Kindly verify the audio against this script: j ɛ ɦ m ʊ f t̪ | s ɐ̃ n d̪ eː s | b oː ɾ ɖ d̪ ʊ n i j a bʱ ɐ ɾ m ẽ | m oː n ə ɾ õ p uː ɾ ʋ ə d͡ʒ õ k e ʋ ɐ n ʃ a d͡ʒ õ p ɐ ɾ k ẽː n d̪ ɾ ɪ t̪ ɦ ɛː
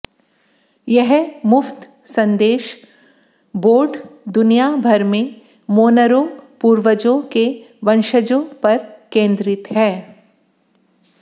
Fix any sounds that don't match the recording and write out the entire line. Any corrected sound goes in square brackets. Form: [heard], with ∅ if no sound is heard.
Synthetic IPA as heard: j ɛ ɦ m ʊ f t̪ | s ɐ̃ n d̪ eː [ʃ] | b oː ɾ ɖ d̪ ʊ n i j a bʱ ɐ ɾ m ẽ | m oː n ə ɾ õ p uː ɾ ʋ ə d͡ʒ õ k e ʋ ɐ n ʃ [ə] d͡ʒ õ p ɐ ɾ k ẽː n d̪ ɾ ɪ t̪ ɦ ɛː